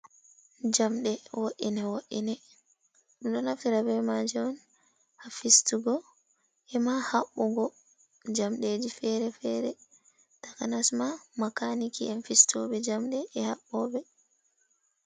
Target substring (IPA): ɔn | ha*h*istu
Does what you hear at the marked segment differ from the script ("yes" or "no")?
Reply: yes